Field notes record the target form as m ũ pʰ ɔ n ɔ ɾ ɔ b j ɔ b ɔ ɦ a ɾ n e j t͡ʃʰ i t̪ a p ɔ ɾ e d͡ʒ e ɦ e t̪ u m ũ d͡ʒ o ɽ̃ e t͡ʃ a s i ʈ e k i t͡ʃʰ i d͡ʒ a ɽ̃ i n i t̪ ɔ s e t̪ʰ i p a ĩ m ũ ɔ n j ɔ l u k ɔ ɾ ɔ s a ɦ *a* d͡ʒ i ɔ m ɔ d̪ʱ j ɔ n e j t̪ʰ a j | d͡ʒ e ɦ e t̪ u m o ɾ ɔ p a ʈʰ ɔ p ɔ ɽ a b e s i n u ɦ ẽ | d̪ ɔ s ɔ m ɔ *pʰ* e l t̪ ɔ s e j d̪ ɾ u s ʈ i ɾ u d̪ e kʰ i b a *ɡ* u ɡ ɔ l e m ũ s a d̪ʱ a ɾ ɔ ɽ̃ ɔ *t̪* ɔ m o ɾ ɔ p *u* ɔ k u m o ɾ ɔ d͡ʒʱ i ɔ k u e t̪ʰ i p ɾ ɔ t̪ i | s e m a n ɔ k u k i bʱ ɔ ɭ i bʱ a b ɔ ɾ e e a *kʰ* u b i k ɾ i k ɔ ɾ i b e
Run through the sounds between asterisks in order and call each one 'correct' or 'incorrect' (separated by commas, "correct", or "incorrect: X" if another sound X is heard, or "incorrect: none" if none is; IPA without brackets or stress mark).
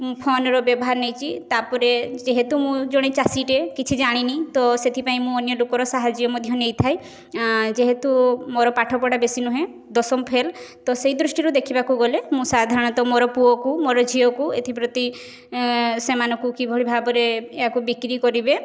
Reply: correct, correct, incorrect: k, correct, correct, incorrect: k